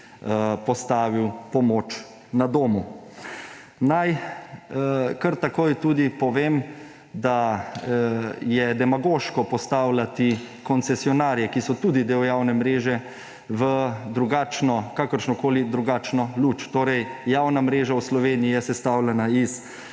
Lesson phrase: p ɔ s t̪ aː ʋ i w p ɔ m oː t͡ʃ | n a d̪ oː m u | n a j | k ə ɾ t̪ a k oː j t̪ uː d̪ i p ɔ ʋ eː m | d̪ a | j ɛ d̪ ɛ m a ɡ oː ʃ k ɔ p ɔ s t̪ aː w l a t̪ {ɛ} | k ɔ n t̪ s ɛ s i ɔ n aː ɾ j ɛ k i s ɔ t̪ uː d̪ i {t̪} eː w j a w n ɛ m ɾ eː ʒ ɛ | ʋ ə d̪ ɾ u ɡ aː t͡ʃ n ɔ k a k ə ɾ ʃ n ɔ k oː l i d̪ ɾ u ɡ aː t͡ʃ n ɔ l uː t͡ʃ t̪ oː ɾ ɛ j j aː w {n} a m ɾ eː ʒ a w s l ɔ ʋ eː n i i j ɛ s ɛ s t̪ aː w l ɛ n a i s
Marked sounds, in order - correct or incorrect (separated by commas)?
incorrect, incorrect, correct